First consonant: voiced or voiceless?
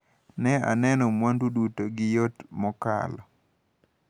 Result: voiced